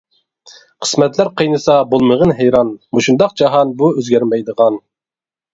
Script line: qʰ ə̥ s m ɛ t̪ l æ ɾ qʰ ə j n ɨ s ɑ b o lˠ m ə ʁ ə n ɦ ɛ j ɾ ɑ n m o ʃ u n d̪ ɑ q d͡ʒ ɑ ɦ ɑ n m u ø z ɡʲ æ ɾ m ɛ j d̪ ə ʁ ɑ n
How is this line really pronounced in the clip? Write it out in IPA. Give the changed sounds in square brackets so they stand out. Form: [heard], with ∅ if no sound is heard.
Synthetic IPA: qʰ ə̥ s m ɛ t̪ l æ ɾ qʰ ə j n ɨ s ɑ b o lˠ m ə ʁ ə n ɦ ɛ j ɾ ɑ n m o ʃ u n d̪ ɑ q d͡ʒ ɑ ɦ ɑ n [b] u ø z ɡʲ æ ɾ m ɛ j d̪ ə ʁ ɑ n